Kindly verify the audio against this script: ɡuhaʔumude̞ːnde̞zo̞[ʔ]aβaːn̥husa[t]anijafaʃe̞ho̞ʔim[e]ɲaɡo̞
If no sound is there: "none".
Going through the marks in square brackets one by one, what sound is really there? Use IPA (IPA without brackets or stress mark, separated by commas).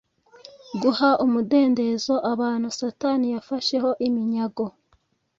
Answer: ʔ, t, i